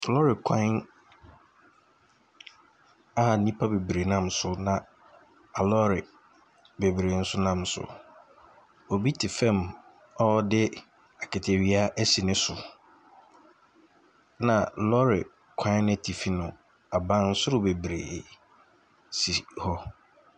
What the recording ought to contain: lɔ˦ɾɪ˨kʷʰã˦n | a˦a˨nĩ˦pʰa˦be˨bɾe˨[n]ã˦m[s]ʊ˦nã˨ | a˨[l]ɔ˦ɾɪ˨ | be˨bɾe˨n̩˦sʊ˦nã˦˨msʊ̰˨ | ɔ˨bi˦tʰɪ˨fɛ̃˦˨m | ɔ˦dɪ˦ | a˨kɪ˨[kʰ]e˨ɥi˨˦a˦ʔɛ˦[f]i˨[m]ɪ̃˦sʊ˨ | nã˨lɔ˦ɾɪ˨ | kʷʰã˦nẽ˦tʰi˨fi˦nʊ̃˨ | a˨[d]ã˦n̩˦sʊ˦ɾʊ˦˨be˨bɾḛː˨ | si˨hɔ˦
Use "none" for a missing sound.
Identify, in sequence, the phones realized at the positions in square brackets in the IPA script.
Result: n, s, l, tʰ, s, n, b

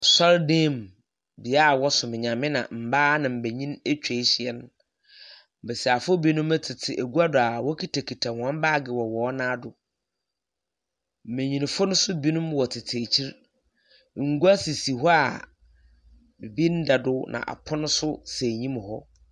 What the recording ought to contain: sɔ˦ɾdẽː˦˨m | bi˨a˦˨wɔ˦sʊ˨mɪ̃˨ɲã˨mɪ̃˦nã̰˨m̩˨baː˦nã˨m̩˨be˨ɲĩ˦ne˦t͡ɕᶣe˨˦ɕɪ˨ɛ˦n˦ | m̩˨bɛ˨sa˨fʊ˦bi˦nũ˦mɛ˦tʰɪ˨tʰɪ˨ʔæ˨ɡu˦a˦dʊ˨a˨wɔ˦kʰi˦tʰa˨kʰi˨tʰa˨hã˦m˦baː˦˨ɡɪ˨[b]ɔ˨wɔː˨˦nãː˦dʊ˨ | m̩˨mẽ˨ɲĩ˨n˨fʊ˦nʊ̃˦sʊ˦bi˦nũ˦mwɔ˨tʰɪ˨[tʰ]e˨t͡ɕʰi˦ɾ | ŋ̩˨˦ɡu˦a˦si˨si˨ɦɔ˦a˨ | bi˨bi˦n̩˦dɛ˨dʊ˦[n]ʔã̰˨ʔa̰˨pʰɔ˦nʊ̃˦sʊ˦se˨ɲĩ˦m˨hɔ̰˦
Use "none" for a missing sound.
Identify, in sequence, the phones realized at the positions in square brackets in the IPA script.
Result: w, tʰ, n

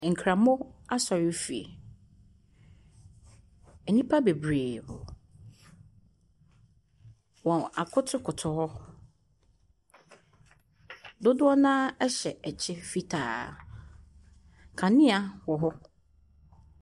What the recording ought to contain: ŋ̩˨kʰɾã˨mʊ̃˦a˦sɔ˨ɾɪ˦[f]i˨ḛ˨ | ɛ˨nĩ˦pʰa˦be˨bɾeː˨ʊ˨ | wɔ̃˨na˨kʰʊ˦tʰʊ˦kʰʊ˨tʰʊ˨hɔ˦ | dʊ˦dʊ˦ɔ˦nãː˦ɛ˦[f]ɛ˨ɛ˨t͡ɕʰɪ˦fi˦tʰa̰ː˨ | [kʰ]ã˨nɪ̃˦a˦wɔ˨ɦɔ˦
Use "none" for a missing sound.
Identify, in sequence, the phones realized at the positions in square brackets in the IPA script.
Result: f, ɕ, kʰ

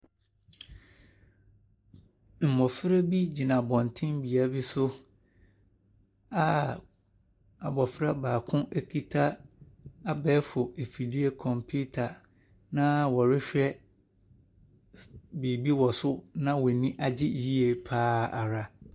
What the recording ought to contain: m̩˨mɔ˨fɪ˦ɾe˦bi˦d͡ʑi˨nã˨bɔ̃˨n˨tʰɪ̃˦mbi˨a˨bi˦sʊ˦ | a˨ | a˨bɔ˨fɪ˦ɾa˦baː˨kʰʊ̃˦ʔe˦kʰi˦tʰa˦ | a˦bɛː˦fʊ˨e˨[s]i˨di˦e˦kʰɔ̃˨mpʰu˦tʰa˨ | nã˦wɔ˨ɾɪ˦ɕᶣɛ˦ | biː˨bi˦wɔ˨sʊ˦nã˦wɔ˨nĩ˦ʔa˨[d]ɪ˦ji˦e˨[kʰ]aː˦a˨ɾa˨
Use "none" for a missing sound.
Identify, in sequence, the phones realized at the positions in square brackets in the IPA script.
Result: f, d͡ʑ, pʰ

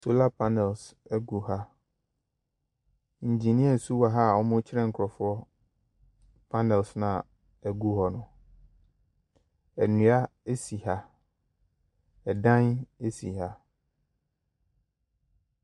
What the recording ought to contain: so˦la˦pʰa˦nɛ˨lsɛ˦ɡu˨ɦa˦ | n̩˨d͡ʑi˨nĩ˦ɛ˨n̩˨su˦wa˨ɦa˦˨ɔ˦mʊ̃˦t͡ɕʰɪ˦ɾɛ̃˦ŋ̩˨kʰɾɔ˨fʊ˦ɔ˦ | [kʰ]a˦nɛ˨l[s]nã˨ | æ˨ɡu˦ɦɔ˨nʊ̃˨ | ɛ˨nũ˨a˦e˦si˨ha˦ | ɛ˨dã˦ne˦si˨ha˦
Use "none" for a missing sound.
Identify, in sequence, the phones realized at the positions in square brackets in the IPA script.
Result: pʰ, s

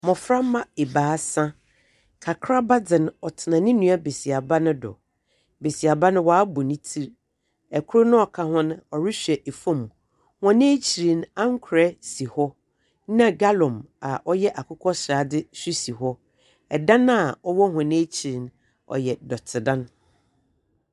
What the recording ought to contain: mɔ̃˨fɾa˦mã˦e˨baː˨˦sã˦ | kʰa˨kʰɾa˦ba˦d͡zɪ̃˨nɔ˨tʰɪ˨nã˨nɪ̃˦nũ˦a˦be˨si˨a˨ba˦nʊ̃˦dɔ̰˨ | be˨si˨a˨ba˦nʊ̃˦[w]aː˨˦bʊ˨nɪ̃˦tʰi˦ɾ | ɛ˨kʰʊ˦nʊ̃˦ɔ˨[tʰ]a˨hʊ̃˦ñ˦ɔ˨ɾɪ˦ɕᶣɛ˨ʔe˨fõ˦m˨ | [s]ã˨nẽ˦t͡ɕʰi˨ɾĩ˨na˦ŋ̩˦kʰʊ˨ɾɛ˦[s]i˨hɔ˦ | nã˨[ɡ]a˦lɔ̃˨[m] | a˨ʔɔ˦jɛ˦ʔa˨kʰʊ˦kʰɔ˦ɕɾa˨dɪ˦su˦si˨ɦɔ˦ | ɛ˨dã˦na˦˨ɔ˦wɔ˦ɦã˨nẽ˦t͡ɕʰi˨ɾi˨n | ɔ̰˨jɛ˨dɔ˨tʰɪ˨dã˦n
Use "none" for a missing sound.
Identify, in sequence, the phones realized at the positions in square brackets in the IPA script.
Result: w, kʰ, h, s, ɡ, m

